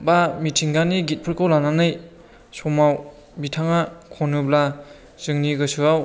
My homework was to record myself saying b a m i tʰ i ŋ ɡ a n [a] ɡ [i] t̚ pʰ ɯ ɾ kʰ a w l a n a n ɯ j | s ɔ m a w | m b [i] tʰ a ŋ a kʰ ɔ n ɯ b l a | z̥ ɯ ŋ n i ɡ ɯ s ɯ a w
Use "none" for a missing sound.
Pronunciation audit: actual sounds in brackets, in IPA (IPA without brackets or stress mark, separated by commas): i, i, i